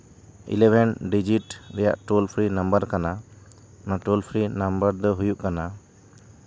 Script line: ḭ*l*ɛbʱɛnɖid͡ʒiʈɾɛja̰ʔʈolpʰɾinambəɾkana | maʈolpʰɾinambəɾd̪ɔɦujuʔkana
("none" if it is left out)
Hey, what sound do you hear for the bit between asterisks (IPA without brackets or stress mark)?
l